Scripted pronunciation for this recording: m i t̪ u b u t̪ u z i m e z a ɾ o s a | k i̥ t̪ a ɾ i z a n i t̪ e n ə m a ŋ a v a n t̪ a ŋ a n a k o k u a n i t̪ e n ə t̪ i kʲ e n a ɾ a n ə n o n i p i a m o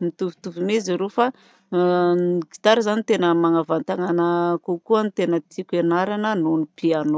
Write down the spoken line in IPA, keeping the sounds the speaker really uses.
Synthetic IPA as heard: m i t̪ u v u t̪ u v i m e z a ɾ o f a | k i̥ t̪ a ɾ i z a n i t̪ e n ə m a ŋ a v a n t̪ a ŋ a n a k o k u a n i t̪ e n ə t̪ i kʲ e n a ɾ a n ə n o n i p i a n o